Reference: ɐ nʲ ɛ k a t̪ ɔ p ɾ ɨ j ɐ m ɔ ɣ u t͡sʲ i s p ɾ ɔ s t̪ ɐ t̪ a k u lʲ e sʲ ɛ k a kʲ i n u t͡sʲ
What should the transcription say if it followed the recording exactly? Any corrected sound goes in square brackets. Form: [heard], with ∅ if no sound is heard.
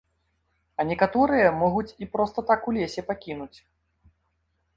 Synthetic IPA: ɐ nʲ ɛ k a t̪ ɔ [∅] ɾ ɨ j ɐ m ɔ ɣ u t͡sʲ i [∅] p ɾ ɔ s t̪ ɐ t̪ a k u lʲ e sʲ ɛ [p] a kʲ i n u t͡sʲ

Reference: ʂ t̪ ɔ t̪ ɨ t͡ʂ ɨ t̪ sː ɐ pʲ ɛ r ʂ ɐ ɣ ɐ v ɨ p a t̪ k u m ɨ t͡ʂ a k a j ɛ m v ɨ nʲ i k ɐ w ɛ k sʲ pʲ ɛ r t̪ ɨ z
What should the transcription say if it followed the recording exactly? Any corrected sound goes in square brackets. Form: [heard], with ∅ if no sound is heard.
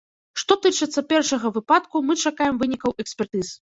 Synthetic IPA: ʂ t̪ ɔ t̪ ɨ t͡ʂ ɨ t̪ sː ɐ pʲ ɛ r ʂ ɐ ɣ ɐ v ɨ p a t̪ k u m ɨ t͡ʂ a k a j ɛ m v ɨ nʲ i k ɐ w ɛ k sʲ pʲ ɛ r t̪ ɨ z

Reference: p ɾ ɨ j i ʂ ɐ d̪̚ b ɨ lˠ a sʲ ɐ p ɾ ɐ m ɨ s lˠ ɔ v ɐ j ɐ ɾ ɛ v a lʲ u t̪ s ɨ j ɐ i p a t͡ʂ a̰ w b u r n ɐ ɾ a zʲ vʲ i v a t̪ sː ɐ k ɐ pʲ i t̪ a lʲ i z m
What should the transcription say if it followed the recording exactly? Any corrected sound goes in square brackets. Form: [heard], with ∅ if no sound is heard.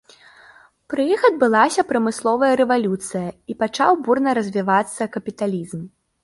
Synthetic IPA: p ɾ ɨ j i [x] ɐ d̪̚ b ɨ lˠ a sʲ ɐ p ɾ ɐ m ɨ s lˠ ɔ v ɐ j ɐ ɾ ɛ v a lʲ u t̪ s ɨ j ɐ i p a t͡ʂ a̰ w b u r n ɐ ɾ [ɐ] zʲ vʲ i v a t̪ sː ɐ k ɐ pʲ i t̪ a lʲ i z m

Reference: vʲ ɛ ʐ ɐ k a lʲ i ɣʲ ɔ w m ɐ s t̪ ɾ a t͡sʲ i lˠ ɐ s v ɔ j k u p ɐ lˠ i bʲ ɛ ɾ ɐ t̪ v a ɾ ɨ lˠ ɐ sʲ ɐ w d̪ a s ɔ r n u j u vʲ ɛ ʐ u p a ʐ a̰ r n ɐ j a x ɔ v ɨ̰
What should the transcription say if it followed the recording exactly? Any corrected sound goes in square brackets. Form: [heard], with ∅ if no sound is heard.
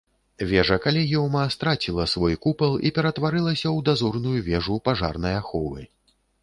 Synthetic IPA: vʲ ɛ ʐ ɐ k a lʲ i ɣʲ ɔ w m ɐ s t̪ ɾ a t͡sʲ i lˠ ɐ s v ɔ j k u p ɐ lˠ i [pʲ] ɛ ɾ ɐ t̪ v a ɾ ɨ lˠ ɐ sʲ ɐ w d̪ a [z] ɔ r n u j u vʲ ɛ ʐ u p a ʐ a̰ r n ɐ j a x ɔ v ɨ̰

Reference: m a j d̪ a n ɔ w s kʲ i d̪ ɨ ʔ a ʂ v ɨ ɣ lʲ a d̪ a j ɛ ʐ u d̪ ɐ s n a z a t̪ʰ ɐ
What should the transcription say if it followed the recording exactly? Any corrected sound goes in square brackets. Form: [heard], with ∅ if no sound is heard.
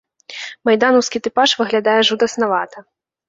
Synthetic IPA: m a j d̪ a n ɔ w s kʲ i [t̪] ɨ [p] a ʂ v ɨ ɣ lʲ a d̪ a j ɛ ʐ u d̪ ɐ s n a [v] a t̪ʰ ɐ

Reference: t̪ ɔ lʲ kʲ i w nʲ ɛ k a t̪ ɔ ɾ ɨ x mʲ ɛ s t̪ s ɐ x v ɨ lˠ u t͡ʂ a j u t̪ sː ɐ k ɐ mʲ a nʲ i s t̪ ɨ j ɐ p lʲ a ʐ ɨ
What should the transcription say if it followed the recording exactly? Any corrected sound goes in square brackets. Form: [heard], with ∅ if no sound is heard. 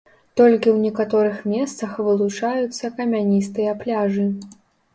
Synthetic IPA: t̪ ɔ lʲ kʲ i w nʲ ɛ k a t̪ ɔ ɾ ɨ x mʲ ɛ s t̪ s ɐ x v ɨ lˠ u t͡ʂ a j u t̪ sː ɐ k ɐ mʲ a nʲ i s t̪ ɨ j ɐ p lʲ a ʐ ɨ

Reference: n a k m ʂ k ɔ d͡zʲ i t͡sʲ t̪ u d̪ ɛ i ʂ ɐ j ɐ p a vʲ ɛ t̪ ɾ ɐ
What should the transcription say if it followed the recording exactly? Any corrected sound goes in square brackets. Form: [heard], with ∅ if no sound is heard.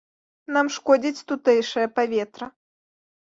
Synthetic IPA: n a [∅] m ʂ k ɔ d͡zʲ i t͡sʲ t̪ u [t̪] ɛ [j] ʂ ɐ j ɐ p a vʲ ɛ t̪ ɾ ɐ

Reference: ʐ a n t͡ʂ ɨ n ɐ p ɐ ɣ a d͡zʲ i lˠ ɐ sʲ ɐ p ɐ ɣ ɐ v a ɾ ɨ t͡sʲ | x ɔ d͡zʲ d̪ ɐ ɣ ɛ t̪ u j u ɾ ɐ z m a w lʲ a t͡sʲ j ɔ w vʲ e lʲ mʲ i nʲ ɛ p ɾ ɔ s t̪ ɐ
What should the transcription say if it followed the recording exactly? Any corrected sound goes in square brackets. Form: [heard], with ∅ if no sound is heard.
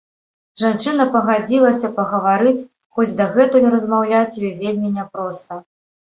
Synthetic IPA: ʐ a n t͡ʂ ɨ n ɐ p ɐ ɣ a d͡zʲ i lˠ ɐ sʲ ɐ p ɐ ɣ ɐ v a ɾ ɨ t͡sʲ | x ɔ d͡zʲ d̪ ɐ ɣ ɛ t̪ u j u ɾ ɐ z m a w lʲ a t͡sʲ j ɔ [∅] vʲ e lʲ mʲ i nʲ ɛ p ɾ ɔ s t̪ ɐ

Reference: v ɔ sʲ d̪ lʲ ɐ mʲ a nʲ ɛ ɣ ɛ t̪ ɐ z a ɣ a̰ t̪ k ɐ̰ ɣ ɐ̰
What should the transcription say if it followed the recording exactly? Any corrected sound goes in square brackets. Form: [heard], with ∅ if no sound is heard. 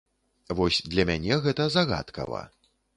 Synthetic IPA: v ɔ sʲ d̪ lʲ ɐ mʲ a nʲ ɛ ɣ ɛ t̪ ɐ z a ɣ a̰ t̪ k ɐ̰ [v] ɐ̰

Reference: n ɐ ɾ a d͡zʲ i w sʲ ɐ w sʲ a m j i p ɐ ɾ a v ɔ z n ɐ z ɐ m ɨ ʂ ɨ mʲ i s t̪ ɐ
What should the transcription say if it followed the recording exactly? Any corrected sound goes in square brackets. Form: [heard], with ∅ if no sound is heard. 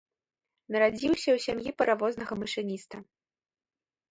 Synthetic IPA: n ɐ ɾ a d͡zʲ i w sʲ ɐ w sʲ a m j i p ɐ ɾ a v ɔ z n ɐ [ɣ] ɐ m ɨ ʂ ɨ [nʲ] i s t̪ ɐ

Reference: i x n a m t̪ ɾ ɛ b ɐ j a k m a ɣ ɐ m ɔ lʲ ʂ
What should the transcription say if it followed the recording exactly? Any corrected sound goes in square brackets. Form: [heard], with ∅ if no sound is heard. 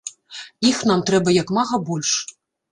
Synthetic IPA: i x n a m t̪ ɾ ɛ b ɐ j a k m a ɣ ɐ [b] ɔ lʲ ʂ

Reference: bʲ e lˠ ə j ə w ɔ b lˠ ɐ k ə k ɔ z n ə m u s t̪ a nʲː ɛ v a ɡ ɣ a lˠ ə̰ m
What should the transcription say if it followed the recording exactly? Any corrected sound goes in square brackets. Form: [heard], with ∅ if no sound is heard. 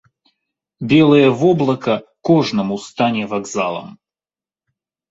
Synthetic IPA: bʲ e lˠ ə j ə [v] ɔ b lˠ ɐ k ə k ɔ [ʐ] n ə m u s t̪ a [nʲ] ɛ v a ɡ [z] a lˠ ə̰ m

